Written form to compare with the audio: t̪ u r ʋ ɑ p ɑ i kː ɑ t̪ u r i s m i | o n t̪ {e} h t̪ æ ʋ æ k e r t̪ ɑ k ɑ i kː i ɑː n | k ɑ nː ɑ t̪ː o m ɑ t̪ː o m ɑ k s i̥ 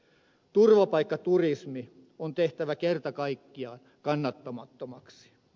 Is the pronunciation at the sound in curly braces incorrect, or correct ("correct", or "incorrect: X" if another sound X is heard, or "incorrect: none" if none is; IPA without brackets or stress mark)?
correct